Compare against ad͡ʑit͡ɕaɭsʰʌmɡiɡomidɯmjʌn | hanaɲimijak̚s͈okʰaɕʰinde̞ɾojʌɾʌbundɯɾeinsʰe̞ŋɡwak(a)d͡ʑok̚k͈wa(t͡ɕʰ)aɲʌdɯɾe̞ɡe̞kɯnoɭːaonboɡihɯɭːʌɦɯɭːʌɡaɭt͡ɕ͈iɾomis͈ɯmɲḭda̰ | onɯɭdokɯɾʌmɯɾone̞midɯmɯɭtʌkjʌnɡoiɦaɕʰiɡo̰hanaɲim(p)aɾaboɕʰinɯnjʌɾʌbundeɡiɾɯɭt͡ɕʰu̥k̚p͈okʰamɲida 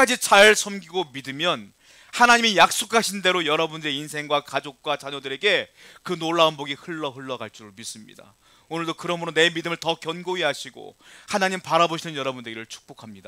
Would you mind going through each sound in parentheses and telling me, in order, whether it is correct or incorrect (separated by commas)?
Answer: correct, incorrect, correct